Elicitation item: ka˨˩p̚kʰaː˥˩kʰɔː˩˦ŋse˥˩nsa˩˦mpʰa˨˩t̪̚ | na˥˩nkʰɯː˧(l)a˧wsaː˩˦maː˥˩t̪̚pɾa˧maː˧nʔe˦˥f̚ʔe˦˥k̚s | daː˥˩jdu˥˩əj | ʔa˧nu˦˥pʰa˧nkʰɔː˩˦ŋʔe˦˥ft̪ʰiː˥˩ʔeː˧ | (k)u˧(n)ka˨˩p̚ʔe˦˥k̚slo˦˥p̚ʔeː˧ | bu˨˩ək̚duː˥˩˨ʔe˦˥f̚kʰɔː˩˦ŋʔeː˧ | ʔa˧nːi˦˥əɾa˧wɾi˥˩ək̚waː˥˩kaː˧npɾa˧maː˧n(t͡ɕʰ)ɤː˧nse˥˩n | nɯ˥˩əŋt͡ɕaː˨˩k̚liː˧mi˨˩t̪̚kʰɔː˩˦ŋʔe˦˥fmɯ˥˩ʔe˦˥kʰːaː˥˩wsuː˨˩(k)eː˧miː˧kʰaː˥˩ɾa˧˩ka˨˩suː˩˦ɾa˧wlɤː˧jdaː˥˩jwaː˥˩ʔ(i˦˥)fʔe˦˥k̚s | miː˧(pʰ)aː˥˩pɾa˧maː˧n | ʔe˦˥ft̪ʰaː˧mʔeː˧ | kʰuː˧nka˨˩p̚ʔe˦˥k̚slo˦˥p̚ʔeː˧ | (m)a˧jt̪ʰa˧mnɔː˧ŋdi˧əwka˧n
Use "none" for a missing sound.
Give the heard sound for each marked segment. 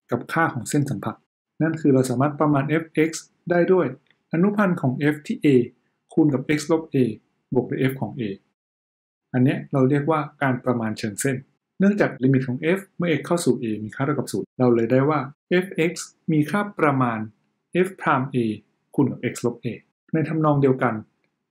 ɾ, kʰ, n, t͡ɕʰ, ʔ, e˦˥, kʰ, n

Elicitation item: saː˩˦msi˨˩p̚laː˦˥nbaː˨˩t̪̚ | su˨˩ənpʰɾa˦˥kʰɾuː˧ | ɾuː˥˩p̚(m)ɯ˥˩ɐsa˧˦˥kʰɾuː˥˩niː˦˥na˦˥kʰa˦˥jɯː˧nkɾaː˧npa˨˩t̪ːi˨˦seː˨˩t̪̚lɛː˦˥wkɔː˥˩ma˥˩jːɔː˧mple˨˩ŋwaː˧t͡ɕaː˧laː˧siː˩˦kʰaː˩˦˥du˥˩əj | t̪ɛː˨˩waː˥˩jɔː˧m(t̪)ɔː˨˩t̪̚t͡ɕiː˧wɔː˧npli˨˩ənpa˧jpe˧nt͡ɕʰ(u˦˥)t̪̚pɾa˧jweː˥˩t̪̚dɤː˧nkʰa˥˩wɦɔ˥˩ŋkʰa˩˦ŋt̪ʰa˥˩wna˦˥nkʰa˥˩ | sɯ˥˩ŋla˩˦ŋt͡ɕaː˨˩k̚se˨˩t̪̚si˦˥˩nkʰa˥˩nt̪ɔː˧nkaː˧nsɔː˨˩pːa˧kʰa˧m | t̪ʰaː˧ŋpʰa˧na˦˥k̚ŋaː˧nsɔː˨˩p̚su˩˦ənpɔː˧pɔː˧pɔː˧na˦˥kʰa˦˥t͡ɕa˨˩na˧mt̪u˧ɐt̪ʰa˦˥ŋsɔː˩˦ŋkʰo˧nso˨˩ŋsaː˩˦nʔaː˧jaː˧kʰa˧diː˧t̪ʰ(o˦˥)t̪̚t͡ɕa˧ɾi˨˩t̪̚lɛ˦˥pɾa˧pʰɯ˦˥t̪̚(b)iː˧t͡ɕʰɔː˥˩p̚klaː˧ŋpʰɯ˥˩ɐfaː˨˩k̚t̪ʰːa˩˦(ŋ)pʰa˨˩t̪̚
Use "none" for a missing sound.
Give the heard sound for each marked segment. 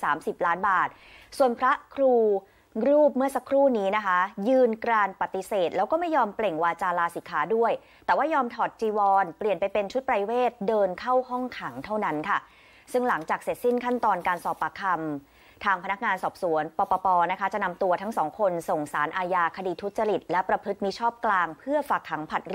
m, t̪ʰ, u˦˥, u˦˥, m, ŋ

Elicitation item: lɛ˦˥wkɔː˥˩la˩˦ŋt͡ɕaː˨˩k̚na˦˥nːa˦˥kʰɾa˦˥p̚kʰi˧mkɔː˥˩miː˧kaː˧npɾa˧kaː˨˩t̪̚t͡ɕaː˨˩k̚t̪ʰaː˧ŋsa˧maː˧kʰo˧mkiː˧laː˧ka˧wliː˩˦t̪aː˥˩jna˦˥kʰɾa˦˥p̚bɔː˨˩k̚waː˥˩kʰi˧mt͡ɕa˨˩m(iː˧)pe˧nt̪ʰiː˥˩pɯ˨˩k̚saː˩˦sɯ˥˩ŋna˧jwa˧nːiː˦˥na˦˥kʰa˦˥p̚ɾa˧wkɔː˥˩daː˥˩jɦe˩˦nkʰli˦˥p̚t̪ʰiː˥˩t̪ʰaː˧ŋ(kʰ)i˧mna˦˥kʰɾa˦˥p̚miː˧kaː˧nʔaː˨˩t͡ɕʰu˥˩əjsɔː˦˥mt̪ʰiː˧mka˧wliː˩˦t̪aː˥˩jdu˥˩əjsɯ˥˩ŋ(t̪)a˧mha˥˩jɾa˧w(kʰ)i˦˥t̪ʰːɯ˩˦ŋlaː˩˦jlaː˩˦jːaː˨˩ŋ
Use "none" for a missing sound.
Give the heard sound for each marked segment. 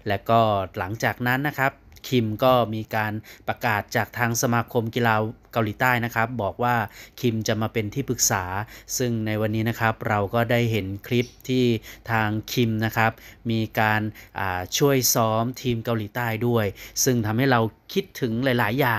aː˧, kʰ, t̪ʰ, kʰ

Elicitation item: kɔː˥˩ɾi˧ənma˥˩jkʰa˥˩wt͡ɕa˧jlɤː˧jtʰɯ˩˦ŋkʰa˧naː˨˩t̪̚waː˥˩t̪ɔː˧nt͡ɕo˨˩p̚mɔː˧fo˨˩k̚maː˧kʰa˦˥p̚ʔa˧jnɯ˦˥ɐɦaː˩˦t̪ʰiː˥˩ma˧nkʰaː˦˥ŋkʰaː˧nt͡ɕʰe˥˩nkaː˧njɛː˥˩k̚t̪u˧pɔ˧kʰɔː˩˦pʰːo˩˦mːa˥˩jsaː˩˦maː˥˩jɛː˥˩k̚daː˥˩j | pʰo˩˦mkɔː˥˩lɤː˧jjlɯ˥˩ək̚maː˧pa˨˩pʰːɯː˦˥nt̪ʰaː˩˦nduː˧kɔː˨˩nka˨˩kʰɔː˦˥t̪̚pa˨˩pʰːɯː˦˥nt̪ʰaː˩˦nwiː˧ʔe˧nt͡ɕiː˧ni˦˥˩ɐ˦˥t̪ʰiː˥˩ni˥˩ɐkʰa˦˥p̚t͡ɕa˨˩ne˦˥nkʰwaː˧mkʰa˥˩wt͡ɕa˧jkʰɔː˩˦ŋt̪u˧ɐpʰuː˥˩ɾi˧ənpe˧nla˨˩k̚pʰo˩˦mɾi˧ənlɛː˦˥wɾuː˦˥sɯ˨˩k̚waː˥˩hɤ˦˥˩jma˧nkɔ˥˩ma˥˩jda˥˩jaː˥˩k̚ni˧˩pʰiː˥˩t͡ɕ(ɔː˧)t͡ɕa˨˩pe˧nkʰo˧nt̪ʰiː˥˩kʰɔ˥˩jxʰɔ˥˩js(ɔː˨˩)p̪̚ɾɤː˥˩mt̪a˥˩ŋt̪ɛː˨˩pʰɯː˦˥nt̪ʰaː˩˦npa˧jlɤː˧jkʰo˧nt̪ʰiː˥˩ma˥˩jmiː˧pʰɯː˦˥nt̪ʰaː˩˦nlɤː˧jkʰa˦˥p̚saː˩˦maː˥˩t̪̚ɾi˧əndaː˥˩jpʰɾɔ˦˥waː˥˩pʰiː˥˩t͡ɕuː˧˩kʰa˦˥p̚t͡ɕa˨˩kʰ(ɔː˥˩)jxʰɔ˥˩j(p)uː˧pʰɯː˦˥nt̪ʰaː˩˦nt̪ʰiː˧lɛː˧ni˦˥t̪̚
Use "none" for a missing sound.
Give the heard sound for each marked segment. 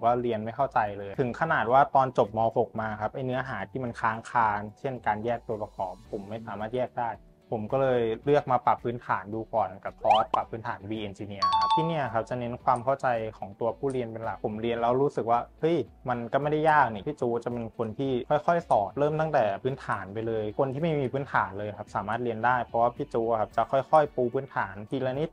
uː˧, ɔː˨˩, ɔ˥˩, p

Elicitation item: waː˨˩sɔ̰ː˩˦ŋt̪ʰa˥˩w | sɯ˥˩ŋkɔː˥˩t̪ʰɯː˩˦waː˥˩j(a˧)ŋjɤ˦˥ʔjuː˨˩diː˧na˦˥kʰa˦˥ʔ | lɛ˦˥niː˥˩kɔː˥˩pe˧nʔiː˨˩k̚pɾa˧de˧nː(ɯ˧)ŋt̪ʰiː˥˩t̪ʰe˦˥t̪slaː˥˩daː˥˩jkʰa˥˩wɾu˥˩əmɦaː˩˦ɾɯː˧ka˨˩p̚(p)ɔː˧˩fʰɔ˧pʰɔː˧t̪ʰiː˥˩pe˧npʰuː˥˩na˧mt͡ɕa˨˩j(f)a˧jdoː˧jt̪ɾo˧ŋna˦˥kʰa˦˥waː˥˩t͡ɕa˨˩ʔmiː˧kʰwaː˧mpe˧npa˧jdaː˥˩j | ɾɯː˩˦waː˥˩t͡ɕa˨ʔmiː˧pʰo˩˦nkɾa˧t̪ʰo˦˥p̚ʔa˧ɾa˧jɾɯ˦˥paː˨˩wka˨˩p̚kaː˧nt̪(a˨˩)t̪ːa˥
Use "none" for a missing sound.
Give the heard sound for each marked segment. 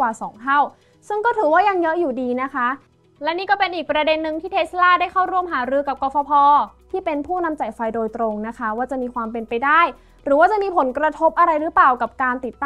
a˧, ɯ˧, k, f, i˨˩

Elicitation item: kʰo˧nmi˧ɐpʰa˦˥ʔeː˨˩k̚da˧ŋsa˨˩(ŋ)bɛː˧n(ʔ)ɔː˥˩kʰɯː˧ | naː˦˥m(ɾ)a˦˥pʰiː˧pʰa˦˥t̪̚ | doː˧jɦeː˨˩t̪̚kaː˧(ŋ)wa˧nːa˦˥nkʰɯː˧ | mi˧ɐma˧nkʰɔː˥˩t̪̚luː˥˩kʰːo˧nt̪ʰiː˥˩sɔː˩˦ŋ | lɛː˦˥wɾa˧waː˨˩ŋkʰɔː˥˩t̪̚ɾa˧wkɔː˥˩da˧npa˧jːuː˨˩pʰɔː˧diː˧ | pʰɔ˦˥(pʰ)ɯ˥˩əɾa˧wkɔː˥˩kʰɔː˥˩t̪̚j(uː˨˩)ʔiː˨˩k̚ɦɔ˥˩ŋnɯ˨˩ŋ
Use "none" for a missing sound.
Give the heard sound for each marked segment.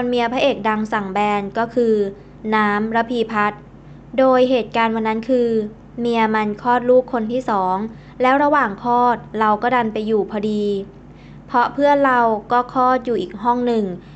ŋ, k, ɾ, n, pʰ, uː˨˩

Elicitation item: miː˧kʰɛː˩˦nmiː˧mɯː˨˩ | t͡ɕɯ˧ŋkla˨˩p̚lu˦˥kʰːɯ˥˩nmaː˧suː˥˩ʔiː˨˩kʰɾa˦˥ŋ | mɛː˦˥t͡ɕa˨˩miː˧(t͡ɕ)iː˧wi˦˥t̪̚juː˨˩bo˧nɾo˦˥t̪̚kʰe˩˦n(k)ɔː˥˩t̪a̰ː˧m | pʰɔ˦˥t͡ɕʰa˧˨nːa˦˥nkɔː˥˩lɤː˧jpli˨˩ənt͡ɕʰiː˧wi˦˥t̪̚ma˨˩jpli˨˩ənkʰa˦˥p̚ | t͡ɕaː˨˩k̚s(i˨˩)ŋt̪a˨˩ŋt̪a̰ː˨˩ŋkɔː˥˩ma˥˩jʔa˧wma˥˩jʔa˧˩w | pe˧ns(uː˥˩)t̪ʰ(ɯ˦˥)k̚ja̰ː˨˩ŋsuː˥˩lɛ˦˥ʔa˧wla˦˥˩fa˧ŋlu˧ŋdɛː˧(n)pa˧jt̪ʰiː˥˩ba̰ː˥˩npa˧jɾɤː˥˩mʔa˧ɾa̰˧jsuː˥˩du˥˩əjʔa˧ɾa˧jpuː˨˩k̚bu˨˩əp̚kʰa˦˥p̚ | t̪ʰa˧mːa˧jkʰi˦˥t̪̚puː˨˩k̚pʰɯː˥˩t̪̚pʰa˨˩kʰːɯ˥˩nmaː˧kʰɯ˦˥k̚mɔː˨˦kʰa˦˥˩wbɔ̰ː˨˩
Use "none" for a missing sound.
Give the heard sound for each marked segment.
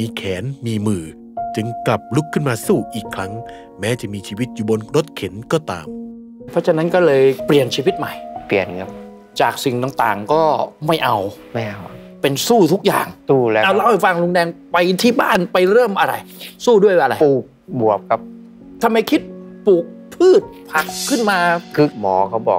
t͡ɕʰ, k, i˨˩, uː˥˩, u˦˥, ŋ

